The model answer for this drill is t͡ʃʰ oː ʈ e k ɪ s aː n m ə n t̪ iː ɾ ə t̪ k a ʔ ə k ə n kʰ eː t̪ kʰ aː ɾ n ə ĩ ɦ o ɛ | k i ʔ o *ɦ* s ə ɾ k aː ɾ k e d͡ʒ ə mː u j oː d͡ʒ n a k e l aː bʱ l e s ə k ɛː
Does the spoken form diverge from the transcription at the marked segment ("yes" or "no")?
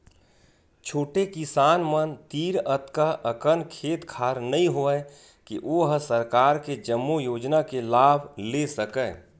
no